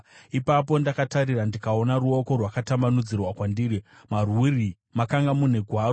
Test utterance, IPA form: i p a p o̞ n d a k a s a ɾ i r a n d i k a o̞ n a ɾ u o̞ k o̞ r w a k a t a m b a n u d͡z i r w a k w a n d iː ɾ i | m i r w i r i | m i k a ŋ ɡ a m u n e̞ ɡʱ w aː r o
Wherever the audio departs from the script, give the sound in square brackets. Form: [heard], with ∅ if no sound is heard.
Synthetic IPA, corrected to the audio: i p a p o̞ n d a k a [t] a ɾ i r a n d i k a o̞ n a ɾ u o̞ k o̞ r w a k a t a m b a n u d͡z i r w a k w a n d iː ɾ i | m [a] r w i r i | m [a] k a ŋ ɡ a m u n e̞ ɡʱ w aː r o

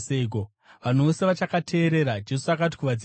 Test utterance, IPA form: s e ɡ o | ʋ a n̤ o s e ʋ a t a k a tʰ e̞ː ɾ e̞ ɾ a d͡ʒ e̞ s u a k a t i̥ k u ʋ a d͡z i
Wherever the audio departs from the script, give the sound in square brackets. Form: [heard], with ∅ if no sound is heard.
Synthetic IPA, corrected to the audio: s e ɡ o | ʋ a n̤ o s e ʋ a [t͡ʃ] a k a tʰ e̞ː ɾ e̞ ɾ a d͡ʒ e̞ s u a k a t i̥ k u ʋ a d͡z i

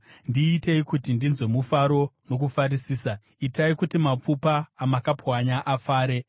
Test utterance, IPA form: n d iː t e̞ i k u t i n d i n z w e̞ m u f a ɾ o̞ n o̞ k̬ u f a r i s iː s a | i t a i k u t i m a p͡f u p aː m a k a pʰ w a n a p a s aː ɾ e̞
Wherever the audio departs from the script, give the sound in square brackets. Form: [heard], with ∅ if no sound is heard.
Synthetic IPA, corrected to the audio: n d iː t e̞ i k u t i n d i n z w e̞ m u f a ɾ o̞ n o̞ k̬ u f a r i s iː s a | i t a i k u t i m a p͡f u p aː m a k a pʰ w a [ɲ] a [ʔ] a [f] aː ɾ e̞

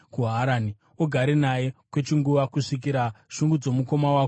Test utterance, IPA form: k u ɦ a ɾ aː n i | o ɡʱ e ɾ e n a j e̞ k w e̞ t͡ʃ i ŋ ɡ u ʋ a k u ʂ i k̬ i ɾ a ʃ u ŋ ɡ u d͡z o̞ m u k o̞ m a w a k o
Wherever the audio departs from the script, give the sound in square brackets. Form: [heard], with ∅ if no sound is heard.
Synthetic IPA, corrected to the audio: k u ɦ a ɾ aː n i | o ɡʱ [a] ɾ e n a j e̞ k w e̞ t͡ʃ i ŋ ɡ u ʋ a k u ʂ i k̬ i ɾ a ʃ u ŋ ɡ u d͡z o̞ m u k o̞ m a w a k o

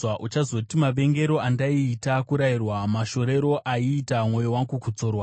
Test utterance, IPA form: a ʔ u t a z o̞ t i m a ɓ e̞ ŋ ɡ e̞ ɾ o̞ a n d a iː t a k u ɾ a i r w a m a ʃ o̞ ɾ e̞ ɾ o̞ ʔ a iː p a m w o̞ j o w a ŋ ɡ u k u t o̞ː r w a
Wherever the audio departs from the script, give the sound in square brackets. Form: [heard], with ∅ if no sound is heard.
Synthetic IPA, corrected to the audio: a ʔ u [t͡ʃ] a z o̞ t i m a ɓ e̞ ŋ ɡ e̞ ɾ o̞ a n d a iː t a k u ɾ a i r w a m a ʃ o̞ ɾ e̞ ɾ o̞ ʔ a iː [t] a m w o̞ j o w a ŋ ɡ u k u [t͡s] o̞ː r w a

